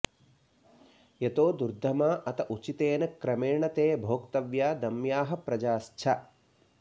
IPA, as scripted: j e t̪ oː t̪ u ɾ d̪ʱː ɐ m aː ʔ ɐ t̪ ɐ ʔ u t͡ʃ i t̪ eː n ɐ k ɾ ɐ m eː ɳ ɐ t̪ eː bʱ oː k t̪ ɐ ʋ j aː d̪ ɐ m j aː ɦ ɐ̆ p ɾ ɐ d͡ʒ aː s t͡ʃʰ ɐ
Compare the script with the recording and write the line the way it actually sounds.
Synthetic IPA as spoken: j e t̪ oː d̪ u ɾ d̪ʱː ɐ m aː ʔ ɐ t̪ ɐ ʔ u t͡ʃ i t̪ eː n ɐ k ɾ ɐ m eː ɳ ɐ t̪ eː bʱ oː k t̪ ɐ ʋ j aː d̪ ɐ m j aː ɦ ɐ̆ p ɾ ɐ d͡ʒ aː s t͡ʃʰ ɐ

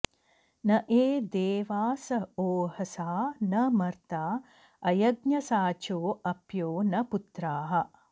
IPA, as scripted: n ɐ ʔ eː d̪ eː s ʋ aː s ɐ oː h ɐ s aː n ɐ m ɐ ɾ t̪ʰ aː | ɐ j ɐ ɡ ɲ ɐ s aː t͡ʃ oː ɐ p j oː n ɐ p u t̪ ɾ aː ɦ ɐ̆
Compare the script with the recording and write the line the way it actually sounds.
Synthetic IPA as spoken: n ɐ ʔ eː d̪ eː ʋ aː s ɐ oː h ɐ s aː n ɐ m ɐ ɾ t̪ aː | ɐ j ɐ ɡ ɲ ɐ s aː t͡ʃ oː ɐ p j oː n ɐ p u t̪ ɾ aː ɦ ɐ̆

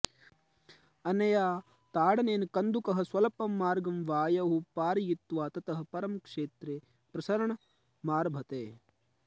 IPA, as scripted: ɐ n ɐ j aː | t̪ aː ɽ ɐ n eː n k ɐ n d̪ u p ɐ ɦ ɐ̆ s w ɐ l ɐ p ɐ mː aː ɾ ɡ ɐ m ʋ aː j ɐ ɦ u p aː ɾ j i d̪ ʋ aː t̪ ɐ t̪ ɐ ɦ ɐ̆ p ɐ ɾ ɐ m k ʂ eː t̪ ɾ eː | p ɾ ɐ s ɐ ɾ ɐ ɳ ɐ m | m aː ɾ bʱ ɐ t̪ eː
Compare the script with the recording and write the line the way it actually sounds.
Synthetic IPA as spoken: ɐ n ɐ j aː | t̪ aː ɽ ɐ n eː n k ɐ n d̪ u k ɐ ɦ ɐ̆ s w ɐ l ɐ p ɐ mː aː ɾ ɡ ɐ m ʋ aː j ɐ ɦ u p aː ɾ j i t̪ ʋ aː t̪ ɐ t̪ ɐ ɦ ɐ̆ p ɐ ɾ ɐ m k ʂ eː t̪ ɾ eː | p ɾ ɐ s ɐ ɾ ɐ ɳ ɐ | m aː ɾ bʱ ɐ t̪ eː

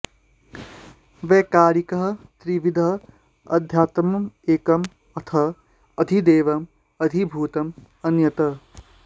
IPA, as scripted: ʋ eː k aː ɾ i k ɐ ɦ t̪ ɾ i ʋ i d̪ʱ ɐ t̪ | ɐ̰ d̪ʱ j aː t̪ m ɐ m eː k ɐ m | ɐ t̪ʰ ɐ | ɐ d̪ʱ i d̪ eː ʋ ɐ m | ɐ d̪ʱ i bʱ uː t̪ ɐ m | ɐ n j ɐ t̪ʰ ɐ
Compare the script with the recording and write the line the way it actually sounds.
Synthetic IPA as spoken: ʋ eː k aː ɾ i k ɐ ɦ t̪ ɾ i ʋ i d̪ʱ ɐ | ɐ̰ d̪ʱ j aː t̪ m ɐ m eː k ɐ m | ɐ t̪ʰ ɐ | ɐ d̪ʱ i d̪ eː ʋ ɐ m | ɐ d̪ʱ i bʱ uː t̪ ɐ m | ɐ n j ɐ t̪ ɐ

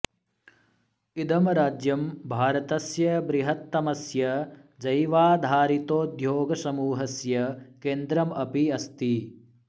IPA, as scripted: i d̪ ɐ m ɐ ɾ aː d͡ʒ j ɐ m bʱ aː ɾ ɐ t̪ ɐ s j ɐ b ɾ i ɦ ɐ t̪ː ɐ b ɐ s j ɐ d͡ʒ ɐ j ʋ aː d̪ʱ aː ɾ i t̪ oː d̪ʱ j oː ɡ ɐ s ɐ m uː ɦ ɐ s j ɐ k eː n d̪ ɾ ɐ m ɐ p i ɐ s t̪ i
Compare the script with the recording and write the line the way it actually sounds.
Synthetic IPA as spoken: i d̪ ɐ m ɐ ɾ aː d͡ʒ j ɐ m bʱ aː ɾ ɐ t̪ ɐ s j ɐ b ɾ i ɦ ɐ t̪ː ɐ m ɐ s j ɐ d͡ʒ ɐ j ʋ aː d̪ʱ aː ɾ i t̪ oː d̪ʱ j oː ɡ ɐ s ɐ m uː ɦ ɐ s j ɐ k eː n d̪ ɾ ɐ m ɐ p i ɐ s t̪ i

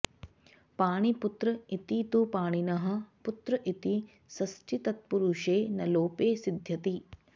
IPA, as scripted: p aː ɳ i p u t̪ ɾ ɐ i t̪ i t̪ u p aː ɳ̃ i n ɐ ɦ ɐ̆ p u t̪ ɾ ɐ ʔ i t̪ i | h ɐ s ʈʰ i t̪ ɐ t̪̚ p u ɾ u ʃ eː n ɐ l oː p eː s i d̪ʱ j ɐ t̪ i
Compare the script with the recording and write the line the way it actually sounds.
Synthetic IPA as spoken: p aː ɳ i p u t̪ ɾ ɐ i t̪ i t̪ u p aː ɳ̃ i n ɐ ɦ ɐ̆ p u t̪ ɾ ɐ ʔ i t̪ i | s ɐ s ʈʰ i t̪ ɐ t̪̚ p u ɾ u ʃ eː n ɐ l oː p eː s i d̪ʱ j ɐ t̪ i

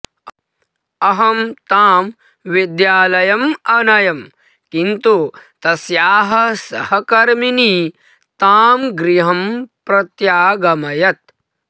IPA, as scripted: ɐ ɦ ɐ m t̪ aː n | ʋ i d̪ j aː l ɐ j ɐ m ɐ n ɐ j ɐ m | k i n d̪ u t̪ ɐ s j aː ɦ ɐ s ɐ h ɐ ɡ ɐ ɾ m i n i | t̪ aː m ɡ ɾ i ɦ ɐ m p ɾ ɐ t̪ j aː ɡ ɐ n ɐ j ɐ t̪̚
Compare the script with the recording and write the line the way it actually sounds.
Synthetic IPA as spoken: ɐ ɦ ɐ m t̪ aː m | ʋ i d̪ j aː l ɐ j ɐ m ɐ n ɐ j ɐ m | k i n t̪ u t̪ ɐ s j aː ɦ ɐ s ɐ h ɐ k ɐ ɾ m i n i | t̪ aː m ɡ ɾ i ɦ ɐ m p ɾ ɐ t̪ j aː ɡ ɐ m ɐ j ɐ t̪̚

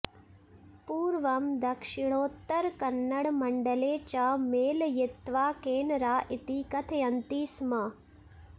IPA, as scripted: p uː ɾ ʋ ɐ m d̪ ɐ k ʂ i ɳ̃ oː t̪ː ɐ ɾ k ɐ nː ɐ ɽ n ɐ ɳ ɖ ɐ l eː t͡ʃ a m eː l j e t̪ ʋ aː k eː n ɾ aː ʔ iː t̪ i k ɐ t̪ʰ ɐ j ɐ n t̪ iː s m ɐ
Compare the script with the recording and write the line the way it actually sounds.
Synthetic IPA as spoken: p uː ɾ ʋ ɐ m d̪ ɐ k ʂ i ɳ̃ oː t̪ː ɐ ɾ k ɐ nː ɐ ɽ m ɐ ɳ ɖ ɐ l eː t͡ʃ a m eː l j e t̪ ʋ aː k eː n ɾ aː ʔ i t̪ i k ɐ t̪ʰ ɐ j ɐ n t̪ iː s m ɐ

